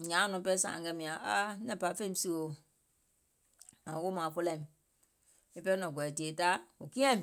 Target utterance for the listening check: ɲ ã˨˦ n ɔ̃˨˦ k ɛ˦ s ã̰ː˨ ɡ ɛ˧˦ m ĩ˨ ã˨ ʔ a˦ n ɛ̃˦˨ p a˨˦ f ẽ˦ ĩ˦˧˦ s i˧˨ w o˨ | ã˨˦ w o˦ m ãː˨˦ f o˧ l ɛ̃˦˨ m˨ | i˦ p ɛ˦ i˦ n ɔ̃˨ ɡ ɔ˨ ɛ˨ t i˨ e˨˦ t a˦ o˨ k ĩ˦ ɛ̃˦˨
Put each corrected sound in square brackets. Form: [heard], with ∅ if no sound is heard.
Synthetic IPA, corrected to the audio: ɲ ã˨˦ n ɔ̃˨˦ [p] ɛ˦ s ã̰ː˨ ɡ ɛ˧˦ m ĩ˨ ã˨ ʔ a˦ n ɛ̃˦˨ p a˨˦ f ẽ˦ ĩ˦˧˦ s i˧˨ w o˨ | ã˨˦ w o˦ m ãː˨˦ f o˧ l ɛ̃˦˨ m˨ | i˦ p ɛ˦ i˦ n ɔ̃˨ ɡ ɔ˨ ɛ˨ t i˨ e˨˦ t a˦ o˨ k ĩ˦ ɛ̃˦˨